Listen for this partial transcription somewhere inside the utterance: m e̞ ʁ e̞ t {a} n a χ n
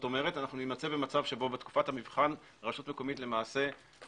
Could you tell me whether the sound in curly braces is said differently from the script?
no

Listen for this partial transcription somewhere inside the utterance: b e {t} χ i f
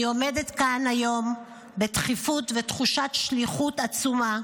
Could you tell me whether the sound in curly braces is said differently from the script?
no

